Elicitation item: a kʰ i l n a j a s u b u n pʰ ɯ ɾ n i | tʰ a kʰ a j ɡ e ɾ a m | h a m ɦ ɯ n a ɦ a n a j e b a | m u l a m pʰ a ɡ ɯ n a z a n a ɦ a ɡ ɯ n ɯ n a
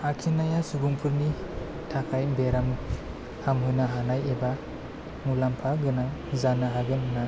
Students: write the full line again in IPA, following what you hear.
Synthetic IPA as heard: a kʰ i n a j a s u b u ŋ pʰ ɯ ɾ n i | tʰ a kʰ a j b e ɾ a m | h a m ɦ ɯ n a ɦ a n a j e b a | m u l a m pʰ a ɡ ɯ n a z a n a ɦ a ɡ ɯ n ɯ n a